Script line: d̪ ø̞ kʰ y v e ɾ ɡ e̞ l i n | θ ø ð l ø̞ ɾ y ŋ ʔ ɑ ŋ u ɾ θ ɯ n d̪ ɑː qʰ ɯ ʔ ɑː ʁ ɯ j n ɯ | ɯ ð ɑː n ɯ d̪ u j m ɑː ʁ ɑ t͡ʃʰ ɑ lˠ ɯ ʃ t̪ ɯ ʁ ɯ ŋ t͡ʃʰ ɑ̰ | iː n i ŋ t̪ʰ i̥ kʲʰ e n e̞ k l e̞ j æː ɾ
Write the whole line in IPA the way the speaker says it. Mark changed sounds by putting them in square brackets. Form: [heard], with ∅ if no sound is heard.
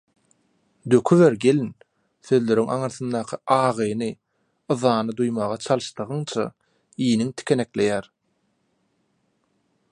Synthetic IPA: d̪ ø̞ kʰ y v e ɾ ɡ e̞ l i n | θ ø ð l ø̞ ɾ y ŋ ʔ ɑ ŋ [ɯ] ɾ θ ɯ n d̪ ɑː qʰ ɯ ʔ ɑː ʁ ɯ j n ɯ | ɯ ð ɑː n ɯ d̪ u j m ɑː ʁ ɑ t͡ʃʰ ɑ lˠ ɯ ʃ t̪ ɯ ʁ ɯ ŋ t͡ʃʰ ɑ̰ | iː n i ŋ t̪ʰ i̥ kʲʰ e n e̞ k l e̞ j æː ɾ